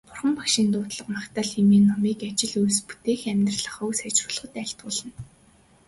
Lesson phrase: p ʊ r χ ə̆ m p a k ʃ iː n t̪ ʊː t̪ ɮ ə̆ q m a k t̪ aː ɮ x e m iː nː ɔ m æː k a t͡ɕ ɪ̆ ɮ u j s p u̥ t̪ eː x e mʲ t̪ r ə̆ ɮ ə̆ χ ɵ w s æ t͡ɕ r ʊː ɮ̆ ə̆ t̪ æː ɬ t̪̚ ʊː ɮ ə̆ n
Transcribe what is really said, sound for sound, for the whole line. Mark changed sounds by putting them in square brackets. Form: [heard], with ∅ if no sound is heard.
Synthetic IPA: p ʊ r χ ə̆ m p a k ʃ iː n t̪ ʊː t̪ ɮ ə̆ q m a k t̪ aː ɮ x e m iː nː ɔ m [iː] k a t͡ɕ ɪ̆ ɮ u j s p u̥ t̪ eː x [æ] mʲ t̪ r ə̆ ɮ ə̆ χ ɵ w s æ t͡ɕ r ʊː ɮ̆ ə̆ t̪ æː ɬ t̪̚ ʊː ɮ ə̆ n